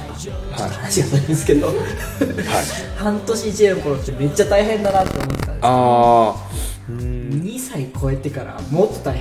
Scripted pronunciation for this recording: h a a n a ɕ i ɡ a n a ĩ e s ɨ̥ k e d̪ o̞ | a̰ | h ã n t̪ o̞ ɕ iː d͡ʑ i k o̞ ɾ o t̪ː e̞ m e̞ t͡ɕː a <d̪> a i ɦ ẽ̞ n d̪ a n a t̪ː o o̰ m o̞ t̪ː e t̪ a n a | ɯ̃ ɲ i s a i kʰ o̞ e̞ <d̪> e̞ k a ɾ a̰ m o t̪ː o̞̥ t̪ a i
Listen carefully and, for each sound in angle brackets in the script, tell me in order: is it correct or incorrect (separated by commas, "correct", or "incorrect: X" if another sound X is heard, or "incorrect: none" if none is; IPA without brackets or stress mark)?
incorrect: t̪, incorrect: t̪